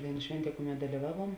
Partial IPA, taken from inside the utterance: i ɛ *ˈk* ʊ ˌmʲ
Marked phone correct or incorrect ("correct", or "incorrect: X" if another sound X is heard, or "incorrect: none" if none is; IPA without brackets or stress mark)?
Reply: correct